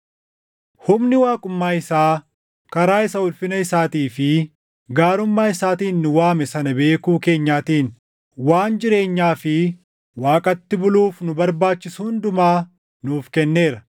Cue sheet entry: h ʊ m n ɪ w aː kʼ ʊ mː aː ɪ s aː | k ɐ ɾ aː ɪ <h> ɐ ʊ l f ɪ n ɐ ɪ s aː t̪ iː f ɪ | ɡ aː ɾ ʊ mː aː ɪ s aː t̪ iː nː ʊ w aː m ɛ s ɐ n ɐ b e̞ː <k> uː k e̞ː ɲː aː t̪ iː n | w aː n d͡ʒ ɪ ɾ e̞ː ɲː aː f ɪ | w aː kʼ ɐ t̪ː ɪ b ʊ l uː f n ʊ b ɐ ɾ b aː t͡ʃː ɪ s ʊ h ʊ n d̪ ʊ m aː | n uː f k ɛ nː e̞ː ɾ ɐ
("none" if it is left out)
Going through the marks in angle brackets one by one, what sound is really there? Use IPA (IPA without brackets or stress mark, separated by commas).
s, k